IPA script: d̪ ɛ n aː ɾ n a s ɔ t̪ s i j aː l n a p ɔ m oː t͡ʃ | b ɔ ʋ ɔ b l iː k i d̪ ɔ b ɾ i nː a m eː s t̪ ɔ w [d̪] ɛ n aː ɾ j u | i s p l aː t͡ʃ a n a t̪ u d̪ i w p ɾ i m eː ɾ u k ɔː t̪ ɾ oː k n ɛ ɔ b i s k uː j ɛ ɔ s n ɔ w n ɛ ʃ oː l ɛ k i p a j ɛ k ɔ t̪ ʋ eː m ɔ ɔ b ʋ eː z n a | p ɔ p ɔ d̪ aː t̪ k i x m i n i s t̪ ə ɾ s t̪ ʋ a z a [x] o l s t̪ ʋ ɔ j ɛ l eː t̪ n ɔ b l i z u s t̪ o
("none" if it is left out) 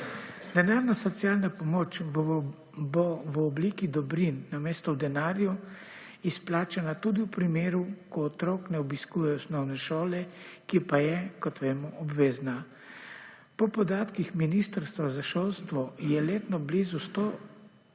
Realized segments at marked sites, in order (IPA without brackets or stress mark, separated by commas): d̪, ʃ